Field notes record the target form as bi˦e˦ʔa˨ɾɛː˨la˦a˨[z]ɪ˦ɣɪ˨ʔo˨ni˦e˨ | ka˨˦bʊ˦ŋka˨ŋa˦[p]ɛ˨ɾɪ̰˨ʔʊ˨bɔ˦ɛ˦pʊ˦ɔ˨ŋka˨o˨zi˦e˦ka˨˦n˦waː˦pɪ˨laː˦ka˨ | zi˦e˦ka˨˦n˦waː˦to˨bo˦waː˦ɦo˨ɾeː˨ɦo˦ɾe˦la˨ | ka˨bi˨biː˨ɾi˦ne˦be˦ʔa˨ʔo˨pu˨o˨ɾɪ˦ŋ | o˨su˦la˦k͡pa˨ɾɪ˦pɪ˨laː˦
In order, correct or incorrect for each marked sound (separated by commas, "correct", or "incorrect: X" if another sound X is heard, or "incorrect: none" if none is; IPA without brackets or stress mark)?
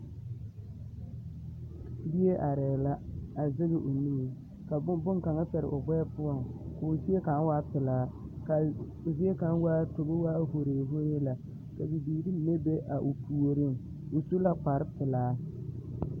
correct, correct